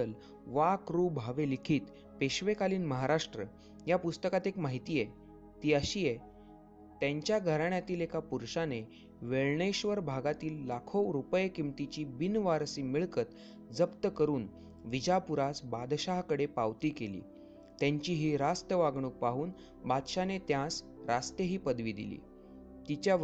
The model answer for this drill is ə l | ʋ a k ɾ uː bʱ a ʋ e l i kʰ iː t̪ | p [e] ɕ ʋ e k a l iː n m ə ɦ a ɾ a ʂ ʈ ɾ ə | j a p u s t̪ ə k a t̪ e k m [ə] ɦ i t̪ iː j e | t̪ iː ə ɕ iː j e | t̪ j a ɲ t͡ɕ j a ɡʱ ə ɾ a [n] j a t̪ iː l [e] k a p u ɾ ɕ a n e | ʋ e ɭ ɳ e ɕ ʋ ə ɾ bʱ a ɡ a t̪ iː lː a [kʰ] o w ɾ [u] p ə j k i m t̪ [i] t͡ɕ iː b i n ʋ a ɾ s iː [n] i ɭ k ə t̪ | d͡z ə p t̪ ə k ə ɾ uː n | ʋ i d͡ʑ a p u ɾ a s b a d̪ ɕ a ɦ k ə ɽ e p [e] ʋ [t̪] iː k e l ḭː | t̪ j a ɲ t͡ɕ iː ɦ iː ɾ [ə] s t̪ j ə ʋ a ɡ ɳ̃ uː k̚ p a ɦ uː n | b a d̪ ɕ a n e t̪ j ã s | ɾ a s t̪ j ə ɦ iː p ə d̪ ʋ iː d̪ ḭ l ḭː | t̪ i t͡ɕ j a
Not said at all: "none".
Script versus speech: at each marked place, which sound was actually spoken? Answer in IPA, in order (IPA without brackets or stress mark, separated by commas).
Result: e, a, ɳ, e, kʰ, u, i, m, a, t̪, a